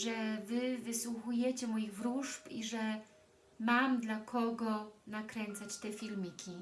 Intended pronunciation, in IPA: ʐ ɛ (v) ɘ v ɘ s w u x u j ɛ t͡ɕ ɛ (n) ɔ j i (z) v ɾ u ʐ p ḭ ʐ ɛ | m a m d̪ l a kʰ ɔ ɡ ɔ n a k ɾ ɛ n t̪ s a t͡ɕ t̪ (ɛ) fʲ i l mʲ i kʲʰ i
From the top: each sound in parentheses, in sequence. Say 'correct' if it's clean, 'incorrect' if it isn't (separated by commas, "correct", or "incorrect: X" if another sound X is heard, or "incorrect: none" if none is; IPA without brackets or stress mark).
correct, incorrect: m, incorrect: ɣ, correct